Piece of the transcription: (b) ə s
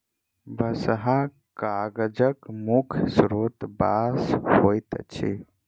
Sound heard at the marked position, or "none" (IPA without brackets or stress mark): b